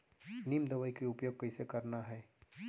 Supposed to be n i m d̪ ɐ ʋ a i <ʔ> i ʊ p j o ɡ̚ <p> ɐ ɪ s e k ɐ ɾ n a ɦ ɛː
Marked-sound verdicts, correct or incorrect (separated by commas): incorrect, incorrect